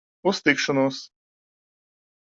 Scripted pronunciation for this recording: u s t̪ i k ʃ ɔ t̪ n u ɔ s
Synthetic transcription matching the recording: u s t̪ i k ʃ ɔ n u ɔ s